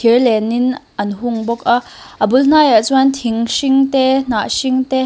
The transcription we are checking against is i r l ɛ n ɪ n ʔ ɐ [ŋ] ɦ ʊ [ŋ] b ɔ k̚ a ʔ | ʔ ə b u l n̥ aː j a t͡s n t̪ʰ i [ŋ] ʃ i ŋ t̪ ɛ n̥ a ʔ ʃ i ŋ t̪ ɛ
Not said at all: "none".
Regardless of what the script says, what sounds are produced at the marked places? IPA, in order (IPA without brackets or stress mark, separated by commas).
n, ŋ, ŋ